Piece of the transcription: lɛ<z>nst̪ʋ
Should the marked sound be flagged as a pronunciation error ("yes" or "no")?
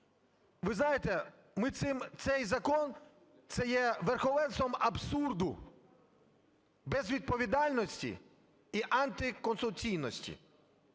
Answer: yes